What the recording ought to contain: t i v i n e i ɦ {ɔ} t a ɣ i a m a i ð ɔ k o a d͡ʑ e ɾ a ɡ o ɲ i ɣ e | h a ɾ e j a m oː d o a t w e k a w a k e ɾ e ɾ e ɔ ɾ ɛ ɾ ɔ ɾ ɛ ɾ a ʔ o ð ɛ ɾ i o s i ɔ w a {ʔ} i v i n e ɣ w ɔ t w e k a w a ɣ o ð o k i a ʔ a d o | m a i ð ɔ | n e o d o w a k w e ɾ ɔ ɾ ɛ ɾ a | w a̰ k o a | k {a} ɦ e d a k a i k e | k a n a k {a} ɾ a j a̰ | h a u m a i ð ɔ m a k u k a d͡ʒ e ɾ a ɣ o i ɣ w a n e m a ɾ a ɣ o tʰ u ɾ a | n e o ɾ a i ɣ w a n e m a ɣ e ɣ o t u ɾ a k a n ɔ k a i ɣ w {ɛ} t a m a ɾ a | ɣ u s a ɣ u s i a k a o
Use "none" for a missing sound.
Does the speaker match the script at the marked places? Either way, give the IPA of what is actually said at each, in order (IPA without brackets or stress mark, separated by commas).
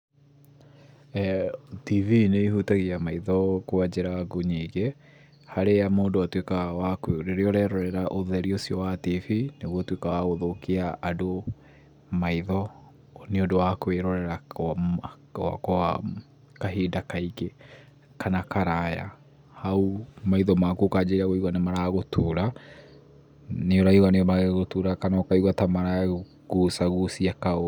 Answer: u, t, a, a, a